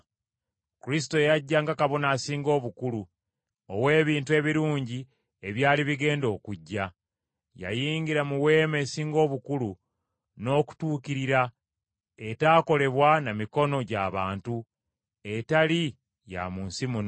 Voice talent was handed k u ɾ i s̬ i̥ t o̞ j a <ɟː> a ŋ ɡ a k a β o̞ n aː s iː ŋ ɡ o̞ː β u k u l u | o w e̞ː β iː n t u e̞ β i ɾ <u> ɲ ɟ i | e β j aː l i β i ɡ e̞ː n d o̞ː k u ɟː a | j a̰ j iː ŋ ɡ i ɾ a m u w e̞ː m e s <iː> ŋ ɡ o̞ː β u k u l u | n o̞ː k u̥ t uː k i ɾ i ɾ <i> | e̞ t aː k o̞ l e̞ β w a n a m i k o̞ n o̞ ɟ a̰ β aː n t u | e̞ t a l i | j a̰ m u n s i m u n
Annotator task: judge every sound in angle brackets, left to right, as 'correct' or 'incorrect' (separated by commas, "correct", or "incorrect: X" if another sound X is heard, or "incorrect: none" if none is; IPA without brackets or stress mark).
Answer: correct, incorrect: uː, correct, incorrect: a